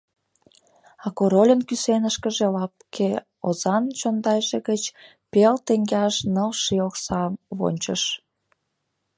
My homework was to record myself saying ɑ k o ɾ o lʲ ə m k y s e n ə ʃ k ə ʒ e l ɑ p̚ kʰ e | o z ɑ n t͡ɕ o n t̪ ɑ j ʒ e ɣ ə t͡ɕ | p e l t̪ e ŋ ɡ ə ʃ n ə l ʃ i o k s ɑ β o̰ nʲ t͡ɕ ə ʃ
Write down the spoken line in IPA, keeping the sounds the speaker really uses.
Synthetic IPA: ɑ k o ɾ o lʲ ə n k y s e n ə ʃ k ə ʒ e l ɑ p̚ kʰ e | o z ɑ n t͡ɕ o n d̪ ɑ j ʒ e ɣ ə t͡ɕ | p e l t̪ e ŋ ɡ ɑ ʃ n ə l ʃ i o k s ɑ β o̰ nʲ t͡ɕ ə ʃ